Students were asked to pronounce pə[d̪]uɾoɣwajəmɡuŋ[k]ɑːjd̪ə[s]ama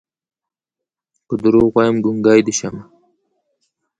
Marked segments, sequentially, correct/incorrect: correct, incorrect: ɡ, incorrect: ʃ

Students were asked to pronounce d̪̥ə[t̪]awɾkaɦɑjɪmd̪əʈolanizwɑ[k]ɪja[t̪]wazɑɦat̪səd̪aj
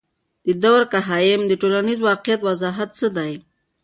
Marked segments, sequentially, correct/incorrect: incorrect: d̪, incorrect: q, correct

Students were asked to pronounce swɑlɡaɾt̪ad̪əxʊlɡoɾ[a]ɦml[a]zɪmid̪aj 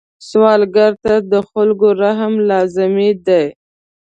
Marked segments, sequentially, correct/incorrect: correct, incorrect: ɑ

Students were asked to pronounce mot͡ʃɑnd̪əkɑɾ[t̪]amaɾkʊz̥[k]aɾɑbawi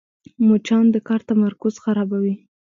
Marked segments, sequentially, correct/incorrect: correct, incorrect: x

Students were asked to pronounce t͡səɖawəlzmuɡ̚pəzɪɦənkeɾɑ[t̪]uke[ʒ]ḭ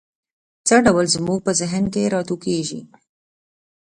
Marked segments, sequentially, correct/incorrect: correct, correct

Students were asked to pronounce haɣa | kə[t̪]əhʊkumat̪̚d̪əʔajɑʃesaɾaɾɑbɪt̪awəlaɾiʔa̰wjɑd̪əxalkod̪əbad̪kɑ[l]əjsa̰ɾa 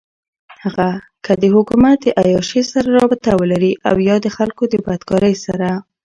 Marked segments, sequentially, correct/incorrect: incorrect: d̪, incorrect: ɾ

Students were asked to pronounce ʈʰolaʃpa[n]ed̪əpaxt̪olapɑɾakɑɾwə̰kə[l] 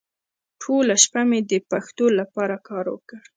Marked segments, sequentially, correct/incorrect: incorrect: m, incorrect: ɽ

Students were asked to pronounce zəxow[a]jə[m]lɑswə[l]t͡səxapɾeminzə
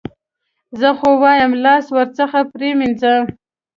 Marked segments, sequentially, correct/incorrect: incorrect: ɑ, correct, incorrect: ɾ

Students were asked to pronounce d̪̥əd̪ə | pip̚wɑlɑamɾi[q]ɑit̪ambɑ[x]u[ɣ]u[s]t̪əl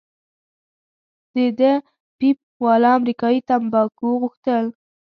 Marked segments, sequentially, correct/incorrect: incorrect: k, incorrect: k, correct, incorrect: x

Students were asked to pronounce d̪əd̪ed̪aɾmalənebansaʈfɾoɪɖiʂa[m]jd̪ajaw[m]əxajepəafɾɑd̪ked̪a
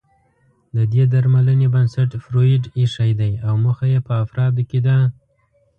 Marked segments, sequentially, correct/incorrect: incorrect: none, correct

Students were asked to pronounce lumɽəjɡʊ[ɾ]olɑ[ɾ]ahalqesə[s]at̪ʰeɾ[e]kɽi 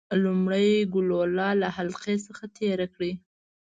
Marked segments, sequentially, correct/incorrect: incorrect: l, incorrect: l, incorrect: x, incorrect: a

